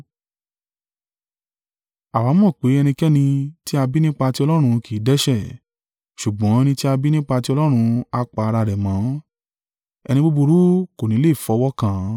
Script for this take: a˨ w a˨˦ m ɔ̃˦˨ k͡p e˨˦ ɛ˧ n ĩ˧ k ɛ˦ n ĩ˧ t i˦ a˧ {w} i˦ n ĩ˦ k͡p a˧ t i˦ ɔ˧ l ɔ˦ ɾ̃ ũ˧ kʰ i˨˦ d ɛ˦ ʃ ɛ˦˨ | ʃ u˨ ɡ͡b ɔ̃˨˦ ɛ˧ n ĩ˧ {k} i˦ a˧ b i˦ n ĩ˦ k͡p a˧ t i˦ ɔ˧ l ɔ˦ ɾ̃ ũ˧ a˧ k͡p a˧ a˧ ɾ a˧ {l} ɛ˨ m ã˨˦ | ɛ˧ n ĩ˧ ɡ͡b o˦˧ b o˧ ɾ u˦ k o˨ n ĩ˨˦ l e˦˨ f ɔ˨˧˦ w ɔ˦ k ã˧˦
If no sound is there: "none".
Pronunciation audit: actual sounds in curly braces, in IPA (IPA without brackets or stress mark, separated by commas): b, t, ɾ